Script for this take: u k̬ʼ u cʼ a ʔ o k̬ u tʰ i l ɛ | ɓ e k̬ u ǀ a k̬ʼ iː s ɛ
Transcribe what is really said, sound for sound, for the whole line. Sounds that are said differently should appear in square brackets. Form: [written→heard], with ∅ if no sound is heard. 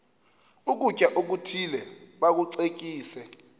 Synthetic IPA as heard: u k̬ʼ u cʼ a ʔ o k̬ u tʰ i l ɛ | ɓ [e→a] k̬ u ǀ [a→e] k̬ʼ iː s ɛ